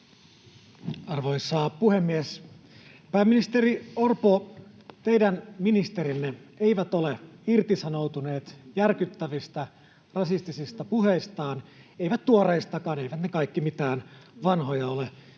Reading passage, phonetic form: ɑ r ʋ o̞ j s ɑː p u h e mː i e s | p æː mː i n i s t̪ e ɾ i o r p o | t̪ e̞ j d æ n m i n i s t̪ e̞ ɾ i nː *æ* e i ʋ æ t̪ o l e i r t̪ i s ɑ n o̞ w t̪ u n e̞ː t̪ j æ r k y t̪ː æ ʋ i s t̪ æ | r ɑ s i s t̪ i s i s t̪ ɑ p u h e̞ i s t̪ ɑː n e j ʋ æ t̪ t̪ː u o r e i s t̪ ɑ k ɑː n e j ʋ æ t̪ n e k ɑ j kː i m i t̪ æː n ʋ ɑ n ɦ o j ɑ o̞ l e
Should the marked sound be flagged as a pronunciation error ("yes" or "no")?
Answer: yes